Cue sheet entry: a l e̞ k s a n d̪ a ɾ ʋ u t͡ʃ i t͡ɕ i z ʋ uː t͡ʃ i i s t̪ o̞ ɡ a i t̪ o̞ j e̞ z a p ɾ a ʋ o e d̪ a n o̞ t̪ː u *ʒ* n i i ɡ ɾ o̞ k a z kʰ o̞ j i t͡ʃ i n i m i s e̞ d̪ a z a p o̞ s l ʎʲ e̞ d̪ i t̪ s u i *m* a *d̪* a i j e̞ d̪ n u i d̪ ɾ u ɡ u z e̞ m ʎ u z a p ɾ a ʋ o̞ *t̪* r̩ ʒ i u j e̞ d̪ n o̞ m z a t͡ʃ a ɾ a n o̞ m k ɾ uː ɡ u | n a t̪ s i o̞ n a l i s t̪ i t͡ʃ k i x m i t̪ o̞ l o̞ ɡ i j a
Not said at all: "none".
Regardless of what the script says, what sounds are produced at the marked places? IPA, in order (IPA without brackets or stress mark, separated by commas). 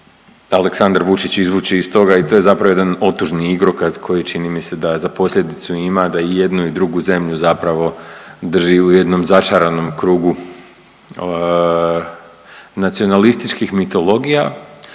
ʒ, m, d̪, d̪